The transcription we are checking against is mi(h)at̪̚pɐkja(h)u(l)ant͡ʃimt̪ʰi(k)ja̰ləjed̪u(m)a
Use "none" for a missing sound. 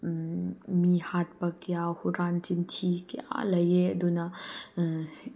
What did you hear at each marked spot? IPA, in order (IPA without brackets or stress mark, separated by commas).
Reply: h, h, ɾ, k, n